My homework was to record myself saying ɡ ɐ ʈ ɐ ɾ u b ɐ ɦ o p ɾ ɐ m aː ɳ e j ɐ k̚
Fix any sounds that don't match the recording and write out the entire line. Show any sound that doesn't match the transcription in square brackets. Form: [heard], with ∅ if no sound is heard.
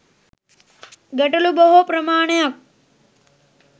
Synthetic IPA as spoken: ɡ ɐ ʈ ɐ [l] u b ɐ ɦ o p ɾ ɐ m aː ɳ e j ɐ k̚

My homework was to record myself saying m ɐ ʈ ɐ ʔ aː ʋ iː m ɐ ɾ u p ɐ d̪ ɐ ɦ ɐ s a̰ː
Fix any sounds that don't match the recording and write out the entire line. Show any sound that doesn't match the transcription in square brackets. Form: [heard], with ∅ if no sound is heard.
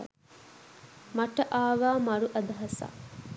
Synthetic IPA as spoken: m ɐ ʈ ɐ ʔ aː ʋ [aː] m ɐ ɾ u [ʔ] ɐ d̪ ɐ ɦ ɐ s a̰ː

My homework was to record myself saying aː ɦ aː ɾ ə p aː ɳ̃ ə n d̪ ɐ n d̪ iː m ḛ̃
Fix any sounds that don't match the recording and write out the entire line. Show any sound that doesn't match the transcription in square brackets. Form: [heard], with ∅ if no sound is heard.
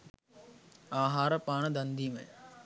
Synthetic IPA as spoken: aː ɦ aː ɾ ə p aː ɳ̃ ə [∅] d̪ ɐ n d̪ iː m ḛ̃

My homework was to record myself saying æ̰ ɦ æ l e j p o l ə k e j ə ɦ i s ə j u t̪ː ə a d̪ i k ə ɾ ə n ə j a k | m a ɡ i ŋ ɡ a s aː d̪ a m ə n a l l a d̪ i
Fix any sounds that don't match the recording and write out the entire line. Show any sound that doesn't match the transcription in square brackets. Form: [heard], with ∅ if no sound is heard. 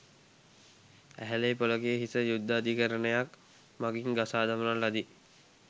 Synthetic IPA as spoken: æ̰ ɦ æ l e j p o l ə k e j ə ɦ i s ə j u [d̪ː] ə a d̪ i k ə ɾ ə n ə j a k | m a ɡ i ŋ ɡ a s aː d̪ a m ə n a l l a d̪ i

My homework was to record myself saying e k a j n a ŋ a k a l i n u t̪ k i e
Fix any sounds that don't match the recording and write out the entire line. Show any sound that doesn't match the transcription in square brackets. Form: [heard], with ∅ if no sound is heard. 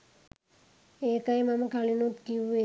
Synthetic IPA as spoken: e k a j [m] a [m] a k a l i n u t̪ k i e

